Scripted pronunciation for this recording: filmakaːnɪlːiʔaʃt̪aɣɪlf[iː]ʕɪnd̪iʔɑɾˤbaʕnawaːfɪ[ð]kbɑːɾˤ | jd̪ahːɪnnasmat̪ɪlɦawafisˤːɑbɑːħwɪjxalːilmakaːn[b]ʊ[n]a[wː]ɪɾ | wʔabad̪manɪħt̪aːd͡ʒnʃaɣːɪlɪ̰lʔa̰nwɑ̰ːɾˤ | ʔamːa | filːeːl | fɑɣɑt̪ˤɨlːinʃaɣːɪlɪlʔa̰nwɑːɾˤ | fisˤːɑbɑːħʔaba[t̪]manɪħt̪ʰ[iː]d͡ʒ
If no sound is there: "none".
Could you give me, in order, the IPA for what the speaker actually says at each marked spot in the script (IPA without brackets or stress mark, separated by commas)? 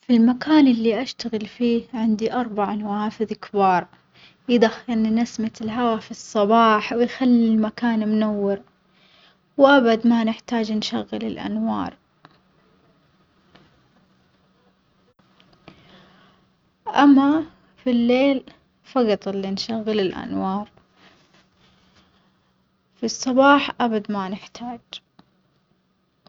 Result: iː, ð, m, n, wː, d̪, aː